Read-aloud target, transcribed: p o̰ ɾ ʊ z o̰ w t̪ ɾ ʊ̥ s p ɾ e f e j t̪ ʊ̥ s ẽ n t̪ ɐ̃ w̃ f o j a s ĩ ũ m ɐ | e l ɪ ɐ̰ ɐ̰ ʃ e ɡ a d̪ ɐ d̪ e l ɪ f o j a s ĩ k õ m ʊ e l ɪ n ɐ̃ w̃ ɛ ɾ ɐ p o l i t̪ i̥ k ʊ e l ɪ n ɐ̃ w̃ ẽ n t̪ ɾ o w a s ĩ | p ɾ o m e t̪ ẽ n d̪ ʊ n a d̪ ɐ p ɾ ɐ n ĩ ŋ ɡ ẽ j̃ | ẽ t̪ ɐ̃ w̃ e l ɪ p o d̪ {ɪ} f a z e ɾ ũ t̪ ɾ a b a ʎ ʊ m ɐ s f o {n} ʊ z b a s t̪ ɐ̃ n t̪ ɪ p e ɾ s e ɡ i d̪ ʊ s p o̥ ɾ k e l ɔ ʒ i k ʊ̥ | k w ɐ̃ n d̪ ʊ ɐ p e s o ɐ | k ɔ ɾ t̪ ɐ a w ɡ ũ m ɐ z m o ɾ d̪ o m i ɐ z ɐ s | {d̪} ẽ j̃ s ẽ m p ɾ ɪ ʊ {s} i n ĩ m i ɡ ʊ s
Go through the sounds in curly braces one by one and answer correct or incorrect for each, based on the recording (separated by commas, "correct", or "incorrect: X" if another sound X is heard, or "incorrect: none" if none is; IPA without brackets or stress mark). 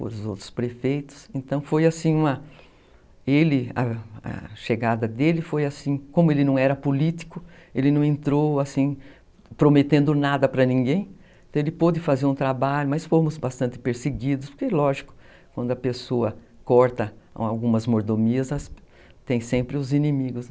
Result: correct, incorrect: m, incorrect: t̪, incorrect: z